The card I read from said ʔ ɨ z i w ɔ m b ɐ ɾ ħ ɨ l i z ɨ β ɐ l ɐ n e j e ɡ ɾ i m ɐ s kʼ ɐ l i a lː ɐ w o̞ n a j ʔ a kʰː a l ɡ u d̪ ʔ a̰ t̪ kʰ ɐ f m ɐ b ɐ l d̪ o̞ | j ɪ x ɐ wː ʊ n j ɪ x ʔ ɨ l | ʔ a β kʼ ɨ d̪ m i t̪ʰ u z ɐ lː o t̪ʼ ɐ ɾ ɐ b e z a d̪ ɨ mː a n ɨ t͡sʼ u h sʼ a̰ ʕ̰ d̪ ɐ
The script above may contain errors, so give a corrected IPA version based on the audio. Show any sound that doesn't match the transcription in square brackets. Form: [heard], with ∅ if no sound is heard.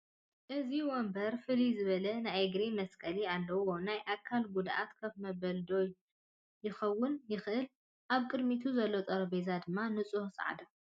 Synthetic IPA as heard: ʔ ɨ z i w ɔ m b ɐ ɾ [f] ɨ l i z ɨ β ɐ l ɐ n [a] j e ɡ ɾ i m ɐ s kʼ ɐ l i a lː ɐ w o̞ n a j ʔ a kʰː a l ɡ u d̪ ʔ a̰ t̪ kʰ ɐ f m ɐ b ɐ l d̪ o̞ | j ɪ x ɐ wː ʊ n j ɪ x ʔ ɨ l | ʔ a β kʼ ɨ d̪ m i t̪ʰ u z ɐ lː o t̪ʼ ɐ ɾ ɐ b e z a d̪ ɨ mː a n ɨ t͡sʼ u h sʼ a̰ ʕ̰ d̪ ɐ